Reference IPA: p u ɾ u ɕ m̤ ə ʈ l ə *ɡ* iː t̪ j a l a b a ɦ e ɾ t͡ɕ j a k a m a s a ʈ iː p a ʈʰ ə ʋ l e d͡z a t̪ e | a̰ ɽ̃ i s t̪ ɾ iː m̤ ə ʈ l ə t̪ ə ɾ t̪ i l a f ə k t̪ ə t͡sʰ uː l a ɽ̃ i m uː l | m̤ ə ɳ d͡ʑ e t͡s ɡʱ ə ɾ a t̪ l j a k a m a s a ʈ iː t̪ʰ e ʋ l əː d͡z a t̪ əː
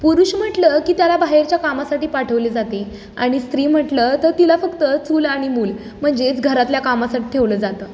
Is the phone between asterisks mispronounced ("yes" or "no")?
yes